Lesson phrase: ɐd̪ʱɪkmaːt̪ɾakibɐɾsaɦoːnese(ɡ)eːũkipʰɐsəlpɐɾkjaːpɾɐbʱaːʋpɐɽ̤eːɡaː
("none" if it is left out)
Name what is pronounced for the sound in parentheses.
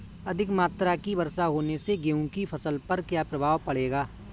ɡ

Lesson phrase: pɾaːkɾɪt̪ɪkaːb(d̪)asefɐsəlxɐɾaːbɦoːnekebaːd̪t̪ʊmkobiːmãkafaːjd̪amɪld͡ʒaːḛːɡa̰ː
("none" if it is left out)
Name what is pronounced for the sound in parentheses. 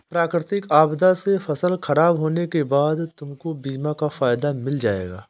d̪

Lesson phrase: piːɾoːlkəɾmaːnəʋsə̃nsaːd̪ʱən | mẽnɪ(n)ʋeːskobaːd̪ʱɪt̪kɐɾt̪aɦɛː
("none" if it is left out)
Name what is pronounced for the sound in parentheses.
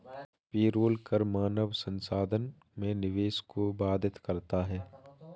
none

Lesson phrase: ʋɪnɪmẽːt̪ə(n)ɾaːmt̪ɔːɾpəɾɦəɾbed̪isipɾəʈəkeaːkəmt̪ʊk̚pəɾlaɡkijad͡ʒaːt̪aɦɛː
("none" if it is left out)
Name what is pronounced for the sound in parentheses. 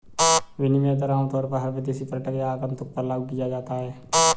none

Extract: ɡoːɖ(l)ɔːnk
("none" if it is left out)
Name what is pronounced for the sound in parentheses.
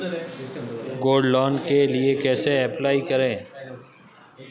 l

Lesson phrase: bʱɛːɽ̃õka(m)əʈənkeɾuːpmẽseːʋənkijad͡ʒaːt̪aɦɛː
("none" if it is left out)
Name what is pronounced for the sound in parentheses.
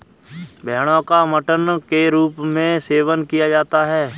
m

